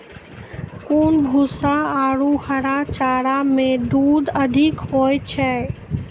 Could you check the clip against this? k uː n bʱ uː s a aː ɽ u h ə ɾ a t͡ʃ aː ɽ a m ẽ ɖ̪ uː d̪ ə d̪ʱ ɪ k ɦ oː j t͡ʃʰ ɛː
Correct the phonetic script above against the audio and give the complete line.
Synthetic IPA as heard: k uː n bʱ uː s a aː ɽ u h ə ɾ a t͡ʃ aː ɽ a m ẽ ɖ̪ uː d̪ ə d̪ʱ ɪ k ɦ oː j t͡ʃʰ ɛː